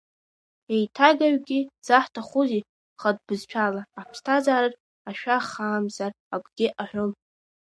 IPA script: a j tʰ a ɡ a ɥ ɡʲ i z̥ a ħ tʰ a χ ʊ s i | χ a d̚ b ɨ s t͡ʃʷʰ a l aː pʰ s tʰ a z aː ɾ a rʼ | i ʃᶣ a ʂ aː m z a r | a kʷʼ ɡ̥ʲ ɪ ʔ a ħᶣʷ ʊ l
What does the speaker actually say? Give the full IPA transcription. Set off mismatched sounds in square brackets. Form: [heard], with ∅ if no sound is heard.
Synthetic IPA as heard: [e] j tʰ a ɡ a ɥ ɡʲ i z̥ a ħ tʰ a χ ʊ [z] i | χ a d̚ b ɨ [z] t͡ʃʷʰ a l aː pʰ s tʰ a z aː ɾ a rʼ | [a] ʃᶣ a [χ] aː m z a r | a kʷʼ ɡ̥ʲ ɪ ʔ a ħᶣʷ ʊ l